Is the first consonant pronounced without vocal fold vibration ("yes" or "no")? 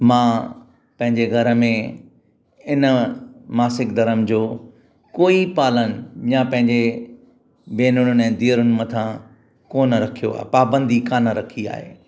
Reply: no